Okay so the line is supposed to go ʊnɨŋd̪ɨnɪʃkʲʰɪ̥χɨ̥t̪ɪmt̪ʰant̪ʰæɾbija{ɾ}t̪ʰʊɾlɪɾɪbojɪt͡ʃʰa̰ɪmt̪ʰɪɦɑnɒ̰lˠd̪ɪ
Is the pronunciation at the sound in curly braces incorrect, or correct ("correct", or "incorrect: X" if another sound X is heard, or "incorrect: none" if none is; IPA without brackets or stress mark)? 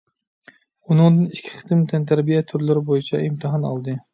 incorrect: none